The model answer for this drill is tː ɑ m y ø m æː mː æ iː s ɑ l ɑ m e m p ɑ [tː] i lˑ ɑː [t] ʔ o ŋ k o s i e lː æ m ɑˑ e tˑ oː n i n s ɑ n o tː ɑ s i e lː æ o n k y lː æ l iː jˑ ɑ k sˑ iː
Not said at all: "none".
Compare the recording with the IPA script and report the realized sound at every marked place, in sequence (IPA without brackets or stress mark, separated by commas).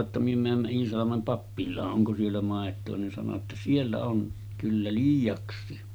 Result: pː, ʔ